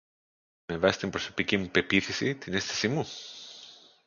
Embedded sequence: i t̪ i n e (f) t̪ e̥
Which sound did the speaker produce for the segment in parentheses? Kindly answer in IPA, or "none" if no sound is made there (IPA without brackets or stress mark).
s